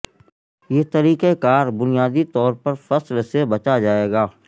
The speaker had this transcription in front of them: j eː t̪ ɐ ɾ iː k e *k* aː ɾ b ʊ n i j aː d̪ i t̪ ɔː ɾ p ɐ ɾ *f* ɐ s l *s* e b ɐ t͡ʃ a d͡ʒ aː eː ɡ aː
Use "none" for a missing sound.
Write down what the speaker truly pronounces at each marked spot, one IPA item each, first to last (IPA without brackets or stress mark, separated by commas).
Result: k, f, s